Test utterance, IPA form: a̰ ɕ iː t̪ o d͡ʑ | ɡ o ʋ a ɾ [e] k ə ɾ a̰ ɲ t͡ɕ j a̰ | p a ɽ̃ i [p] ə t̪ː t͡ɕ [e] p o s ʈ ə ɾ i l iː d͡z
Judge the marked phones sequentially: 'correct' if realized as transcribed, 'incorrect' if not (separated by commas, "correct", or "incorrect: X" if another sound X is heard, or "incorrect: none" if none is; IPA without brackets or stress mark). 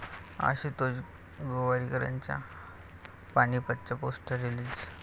incorrect: i, correct, incorrect: a